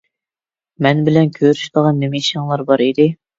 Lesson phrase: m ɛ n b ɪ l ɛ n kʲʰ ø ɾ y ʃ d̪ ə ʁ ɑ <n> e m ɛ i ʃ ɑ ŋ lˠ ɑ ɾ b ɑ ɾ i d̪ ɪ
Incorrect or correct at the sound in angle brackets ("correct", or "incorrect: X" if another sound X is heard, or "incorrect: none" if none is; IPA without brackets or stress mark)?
incorrect: nː